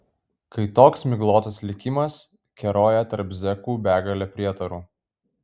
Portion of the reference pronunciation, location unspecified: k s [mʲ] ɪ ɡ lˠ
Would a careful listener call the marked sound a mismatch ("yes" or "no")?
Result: no